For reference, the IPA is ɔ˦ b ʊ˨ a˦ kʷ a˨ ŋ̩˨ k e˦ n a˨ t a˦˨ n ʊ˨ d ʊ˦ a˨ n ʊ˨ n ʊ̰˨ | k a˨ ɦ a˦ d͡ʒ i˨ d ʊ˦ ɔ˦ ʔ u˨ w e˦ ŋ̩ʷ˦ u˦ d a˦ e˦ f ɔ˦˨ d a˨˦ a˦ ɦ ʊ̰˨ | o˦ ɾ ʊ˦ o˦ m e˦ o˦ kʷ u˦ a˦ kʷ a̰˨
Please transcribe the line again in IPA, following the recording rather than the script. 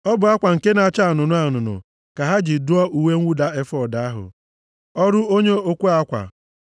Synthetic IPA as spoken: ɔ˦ b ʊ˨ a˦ kʷ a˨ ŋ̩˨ k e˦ n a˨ t͡ʃ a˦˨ n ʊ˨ n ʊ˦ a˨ n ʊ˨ n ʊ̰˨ | k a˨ ɦ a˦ d͡ʒ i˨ d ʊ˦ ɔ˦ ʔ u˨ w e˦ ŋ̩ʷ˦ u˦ d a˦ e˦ f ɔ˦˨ d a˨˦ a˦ ɦ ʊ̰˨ | ɔ˦ ɾ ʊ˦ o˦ ɲ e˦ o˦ kʷ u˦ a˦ kʷ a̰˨